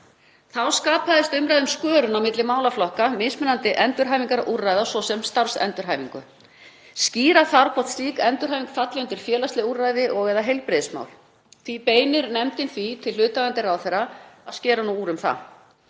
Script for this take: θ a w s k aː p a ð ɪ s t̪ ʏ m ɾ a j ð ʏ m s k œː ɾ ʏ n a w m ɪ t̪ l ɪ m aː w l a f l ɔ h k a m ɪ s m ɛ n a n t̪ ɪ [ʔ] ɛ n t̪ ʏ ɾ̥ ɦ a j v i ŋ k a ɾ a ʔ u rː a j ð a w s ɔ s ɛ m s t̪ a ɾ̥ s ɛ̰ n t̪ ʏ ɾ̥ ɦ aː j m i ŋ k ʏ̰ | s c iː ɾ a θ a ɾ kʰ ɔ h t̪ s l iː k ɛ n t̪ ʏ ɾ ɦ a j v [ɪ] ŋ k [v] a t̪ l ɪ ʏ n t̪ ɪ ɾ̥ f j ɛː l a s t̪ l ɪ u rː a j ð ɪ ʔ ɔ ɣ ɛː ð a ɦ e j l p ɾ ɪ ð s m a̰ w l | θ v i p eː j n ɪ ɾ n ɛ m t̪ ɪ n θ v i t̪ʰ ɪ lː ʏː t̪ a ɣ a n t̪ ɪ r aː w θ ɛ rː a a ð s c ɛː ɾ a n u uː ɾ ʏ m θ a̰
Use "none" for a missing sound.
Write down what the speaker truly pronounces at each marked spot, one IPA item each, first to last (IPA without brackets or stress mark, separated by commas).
ʔ, i, f